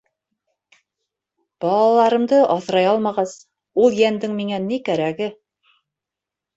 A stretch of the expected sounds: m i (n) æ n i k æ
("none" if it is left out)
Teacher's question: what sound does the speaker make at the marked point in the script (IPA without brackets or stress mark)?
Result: ŋ